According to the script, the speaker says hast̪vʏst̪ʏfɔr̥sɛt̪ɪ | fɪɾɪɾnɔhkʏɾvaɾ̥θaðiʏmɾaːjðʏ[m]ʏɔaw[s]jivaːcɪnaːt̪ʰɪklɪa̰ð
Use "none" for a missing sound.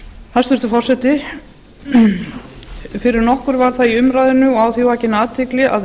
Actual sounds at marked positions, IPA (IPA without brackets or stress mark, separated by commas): n, θ